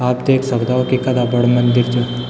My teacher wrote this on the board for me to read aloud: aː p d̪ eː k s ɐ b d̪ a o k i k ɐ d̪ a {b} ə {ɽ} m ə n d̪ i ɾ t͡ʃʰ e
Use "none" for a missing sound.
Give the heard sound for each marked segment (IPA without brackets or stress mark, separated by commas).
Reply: b, ɽ